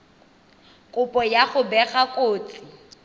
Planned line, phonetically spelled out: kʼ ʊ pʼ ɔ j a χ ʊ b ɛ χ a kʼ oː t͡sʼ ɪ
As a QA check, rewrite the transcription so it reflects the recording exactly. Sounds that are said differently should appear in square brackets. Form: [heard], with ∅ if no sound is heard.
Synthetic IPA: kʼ ʊ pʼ ɔ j a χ ʊ b ɛ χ a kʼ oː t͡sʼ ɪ